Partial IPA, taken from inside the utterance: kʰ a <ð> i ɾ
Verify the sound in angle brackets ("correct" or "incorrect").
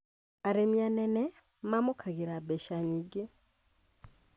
incorrect